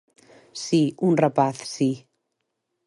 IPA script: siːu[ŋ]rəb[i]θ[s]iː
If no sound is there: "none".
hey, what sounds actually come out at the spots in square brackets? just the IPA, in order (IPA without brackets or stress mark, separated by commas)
n, a, s